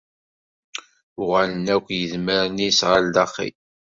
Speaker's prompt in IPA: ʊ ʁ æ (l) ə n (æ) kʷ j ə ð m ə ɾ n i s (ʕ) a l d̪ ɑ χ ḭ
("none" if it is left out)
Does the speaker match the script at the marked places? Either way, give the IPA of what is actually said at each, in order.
l, æ, ʁ

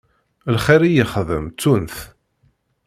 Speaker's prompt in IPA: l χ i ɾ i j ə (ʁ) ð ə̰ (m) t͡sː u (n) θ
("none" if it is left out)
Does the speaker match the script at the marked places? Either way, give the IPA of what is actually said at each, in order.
χ, m, n

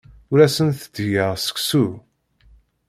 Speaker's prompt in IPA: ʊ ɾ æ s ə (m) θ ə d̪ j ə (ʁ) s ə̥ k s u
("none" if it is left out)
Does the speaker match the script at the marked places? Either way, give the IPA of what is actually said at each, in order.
n, ʁ

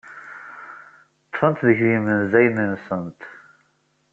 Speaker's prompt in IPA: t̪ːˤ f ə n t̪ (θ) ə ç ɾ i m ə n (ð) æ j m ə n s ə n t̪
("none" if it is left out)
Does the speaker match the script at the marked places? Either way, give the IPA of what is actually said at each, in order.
ð, z

